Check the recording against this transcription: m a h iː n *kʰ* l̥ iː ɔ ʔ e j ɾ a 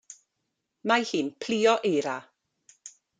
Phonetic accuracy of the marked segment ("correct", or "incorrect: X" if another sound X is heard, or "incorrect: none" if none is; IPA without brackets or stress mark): incorrect: pʰ